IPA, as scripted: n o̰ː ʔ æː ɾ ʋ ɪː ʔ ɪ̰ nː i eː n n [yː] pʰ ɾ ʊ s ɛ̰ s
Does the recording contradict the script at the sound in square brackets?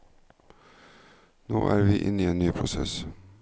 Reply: no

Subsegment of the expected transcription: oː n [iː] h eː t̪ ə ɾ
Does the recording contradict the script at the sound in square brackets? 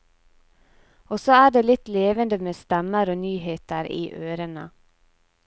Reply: yes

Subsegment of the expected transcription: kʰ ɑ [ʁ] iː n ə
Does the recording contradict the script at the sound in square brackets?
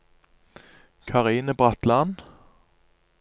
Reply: no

